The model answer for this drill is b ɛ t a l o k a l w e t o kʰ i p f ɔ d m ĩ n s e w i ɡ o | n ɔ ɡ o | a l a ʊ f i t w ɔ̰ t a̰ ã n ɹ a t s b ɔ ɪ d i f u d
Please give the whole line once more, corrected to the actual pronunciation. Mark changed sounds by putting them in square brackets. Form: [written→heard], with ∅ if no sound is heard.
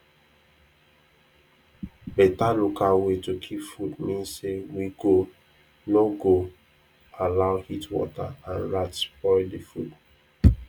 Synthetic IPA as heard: b ɛ t a l o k a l w e t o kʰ i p f [ɔ→u] d m ĩ n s e w i ɡ o | n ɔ ɡ o | a l a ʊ [f→h] i t w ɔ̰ t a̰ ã n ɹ a t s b ɔ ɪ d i f u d